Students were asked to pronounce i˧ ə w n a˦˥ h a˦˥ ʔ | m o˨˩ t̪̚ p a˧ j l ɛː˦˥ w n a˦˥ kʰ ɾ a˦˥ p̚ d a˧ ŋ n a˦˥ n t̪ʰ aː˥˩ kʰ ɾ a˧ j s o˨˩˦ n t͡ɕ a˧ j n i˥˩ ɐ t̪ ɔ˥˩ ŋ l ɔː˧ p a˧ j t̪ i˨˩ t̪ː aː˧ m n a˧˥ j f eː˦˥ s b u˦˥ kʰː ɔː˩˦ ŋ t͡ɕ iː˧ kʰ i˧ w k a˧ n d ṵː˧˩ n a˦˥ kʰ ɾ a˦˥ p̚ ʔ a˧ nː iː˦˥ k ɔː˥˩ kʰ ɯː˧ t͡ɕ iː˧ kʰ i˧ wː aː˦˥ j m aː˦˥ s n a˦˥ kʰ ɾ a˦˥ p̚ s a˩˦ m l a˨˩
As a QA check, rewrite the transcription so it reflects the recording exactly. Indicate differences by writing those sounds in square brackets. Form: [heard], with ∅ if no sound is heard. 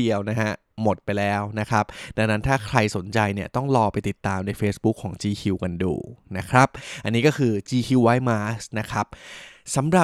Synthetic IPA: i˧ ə w n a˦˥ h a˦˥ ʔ | m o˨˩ t̪̚ p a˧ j l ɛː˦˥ w n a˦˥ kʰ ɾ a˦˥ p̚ d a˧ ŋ n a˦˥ n t̪ʰ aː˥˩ kʰ ɾ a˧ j s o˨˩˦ n t͡ɕ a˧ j n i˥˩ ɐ t̪ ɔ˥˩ ŋ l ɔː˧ p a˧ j t̪ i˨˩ t̪ː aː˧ m n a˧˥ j f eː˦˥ s b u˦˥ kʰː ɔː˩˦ ŋ t͡ɕ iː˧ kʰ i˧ w k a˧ n d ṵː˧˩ n a˦˥ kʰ ɾ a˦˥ p̚ ʔ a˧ nː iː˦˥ k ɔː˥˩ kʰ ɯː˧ t͡ɕ iː˧ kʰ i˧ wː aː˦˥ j m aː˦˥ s n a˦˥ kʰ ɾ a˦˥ p̚ s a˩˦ m [ɾ] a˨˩